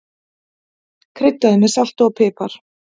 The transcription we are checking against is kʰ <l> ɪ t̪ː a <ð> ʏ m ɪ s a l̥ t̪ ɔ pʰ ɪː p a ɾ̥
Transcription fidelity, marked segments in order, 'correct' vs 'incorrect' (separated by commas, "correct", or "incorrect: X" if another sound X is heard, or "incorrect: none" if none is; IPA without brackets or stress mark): incorrect: ɾ, correct